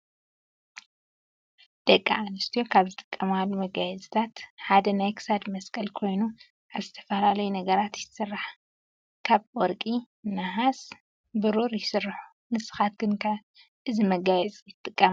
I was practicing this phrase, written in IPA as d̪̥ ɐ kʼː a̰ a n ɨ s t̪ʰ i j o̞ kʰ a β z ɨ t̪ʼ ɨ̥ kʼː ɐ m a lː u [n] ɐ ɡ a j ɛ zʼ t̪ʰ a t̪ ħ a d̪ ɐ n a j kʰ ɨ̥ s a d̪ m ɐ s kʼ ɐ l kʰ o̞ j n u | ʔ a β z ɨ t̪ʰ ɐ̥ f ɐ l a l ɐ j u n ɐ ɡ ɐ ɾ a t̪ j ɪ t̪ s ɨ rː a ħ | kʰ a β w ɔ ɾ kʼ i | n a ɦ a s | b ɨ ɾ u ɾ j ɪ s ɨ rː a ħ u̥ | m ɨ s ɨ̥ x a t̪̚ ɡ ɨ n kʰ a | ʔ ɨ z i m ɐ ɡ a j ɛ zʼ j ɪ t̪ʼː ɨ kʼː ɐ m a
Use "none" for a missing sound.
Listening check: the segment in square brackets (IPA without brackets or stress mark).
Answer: m